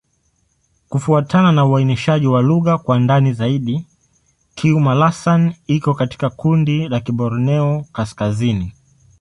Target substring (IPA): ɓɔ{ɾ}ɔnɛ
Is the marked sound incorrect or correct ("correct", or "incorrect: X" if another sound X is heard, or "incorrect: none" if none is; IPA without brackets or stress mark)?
correct